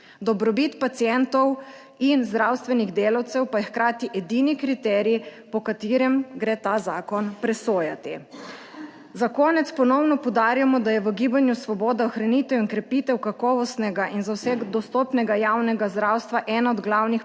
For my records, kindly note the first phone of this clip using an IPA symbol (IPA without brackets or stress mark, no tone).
d̪